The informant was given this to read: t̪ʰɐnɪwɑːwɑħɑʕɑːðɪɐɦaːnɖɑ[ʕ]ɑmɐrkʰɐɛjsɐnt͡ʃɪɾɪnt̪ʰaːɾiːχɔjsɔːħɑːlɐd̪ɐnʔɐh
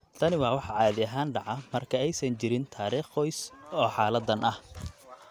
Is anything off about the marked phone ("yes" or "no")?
no